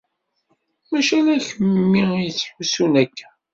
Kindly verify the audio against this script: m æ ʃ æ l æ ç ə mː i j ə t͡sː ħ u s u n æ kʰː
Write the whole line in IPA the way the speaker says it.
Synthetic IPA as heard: m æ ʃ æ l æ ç ə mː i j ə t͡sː ħ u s u n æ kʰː